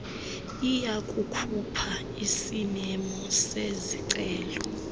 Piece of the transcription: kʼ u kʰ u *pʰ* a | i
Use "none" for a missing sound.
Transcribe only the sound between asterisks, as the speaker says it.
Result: pʰ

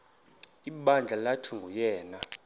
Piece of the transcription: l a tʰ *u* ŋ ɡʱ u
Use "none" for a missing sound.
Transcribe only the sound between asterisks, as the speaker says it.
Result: u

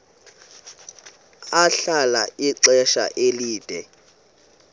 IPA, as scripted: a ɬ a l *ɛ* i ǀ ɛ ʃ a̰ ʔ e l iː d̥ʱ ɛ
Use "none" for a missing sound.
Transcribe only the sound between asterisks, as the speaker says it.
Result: a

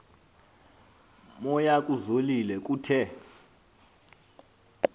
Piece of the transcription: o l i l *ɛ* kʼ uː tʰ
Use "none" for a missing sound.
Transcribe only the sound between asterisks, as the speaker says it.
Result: ɛ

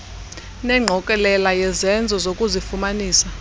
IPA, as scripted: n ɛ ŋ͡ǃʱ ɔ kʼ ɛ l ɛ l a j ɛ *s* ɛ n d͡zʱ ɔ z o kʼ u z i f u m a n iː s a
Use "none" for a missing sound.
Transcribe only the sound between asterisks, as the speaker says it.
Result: z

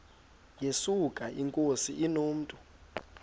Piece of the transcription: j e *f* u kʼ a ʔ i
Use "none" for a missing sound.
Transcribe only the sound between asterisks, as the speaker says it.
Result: s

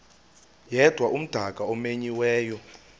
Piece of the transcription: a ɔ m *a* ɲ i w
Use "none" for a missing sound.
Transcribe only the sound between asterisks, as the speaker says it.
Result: e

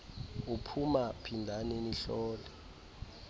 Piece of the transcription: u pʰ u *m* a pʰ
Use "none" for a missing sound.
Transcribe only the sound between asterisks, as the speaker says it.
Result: m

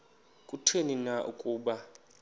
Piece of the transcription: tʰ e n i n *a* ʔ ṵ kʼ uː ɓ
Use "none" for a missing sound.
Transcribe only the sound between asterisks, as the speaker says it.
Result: a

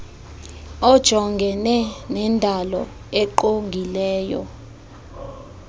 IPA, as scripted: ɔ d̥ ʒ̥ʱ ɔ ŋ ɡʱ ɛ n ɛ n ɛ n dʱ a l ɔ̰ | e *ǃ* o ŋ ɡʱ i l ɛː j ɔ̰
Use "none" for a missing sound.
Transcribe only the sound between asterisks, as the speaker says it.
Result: ǃ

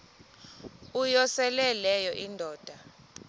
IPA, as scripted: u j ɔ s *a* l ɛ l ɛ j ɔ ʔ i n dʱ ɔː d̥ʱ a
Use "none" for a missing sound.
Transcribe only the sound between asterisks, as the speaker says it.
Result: ɛ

